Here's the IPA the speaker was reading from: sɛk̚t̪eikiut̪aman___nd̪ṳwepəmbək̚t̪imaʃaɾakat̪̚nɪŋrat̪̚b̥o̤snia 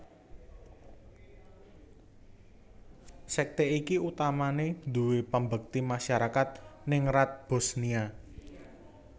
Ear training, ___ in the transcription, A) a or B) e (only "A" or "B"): B